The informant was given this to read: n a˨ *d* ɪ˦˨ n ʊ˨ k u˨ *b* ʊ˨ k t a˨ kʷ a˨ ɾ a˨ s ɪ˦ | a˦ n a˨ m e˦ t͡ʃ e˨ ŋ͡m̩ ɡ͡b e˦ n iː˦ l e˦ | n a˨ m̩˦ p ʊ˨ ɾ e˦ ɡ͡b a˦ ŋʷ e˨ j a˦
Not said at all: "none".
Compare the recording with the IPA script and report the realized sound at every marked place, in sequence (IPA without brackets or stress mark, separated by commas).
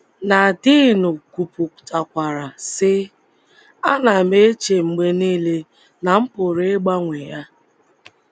d, p